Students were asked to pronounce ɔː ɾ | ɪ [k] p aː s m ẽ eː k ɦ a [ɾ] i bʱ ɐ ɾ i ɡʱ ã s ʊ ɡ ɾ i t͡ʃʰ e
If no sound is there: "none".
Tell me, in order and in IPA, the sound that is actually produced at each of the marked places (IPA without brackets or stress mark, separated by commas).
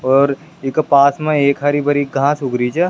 k, ɾ